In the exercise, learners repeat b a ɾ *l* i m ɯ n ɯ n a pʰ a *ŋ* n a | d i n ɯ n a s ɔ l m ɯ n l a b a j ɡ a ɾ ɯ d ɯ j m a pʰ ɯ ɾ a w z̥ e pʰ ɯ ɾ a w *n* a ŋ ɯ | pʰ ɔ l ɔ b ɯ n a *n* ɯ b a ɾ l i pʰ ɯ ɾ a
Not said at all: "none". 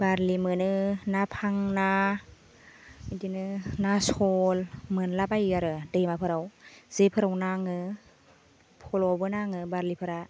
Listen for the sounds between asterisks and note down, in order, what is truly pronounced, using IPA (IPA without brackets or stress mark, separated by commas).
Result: l, ŋ, n, ŋ